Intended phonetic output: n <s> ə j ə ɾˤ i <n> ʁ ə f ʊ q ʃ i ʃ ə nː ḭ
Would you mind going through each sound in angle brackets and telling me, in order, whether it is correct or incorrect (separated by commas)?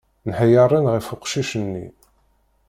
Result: incorrect, correct